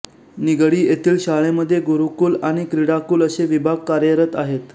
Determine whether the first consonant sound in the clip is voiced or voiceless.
voiced